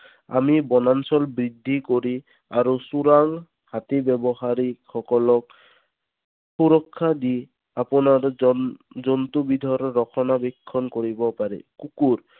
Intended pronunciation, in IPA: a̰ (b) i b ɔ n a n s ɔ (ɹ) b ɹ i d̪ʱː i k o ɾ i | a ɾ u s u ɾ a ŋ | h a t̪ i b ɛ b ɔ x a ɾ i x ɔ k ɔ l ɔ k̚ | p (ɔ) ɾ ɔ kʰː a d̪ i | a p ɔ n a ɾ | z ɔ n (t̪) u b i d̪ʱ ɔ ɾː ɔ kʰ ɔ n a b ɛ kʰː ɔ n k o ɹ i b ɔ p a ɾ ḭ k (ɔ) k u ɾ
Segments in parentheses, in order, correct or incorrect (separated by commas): incorrect, incorrect, incorrect, correct, incorrect